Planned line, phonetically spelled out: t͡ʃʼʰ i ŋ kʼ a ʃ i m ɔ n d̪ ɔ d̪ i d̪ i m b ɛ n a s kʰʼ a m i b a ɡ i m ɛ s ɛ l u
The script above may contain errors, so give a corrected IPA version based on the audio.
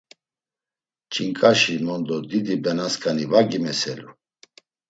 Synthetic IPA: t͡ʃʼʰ i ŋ kʼ a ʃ i m ɔ n d̪ ɔ d̪ i d̪ i b ɛ n a s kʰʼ a n i v a ɡ i m ɛ s ɛ l u